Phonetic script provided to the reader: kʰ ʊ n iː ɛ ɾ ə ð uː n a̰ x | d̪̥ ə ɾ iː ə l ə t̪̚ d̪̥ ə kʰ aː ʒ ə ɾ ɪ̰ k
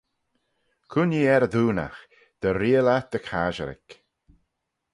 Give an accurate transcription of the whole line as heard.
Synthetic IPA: kʰ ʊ n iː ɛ ɾ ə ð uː n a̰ x | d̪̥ ə ɾ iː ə l a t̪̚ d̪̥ ə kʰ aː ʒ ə ɾ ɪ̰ k